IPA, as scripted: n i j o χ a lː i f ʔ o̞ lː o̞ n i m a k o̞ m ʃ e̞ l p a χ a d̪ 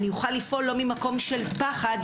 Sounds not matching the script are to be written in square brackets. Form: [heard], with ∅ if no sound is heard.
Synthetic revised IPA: n i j [u] χ a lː i f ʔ o̞ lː o̞ [m] i m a k o̞ m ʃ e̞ l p a χ a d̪